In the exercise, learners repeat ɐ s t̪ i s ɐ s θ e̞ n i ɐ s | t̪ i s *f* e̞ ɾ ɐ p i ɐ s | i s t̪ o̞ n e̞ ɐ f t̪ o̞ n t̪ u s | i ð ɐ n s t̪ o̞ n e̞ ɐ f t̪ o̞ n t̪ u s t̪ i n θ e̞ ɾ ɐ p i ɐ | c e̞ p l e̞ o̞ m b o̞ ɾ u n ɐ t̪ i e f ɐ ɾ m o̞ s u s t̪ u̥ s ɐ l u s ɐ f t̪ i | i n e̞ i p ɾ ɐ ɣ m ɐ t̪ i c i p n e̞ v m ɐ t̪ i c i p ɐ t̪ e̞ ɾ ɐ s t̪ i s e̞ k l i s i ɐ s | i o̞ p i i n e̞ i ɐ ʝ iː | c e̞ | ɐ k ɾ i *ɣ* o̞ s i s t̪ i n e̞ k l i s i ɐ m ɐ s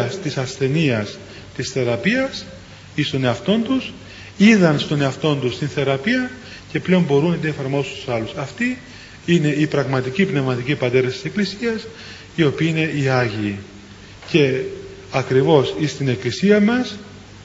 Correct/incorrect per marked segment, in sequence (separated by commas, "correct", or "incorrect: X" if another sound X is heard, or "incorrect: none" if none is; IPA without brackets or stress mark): incorrect: θ, incorrect: v